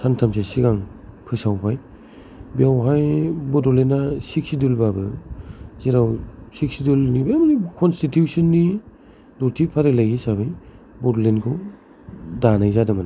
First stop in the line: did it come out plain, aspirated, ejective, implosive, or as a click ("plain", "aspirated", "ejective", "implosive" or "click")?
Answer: aspirated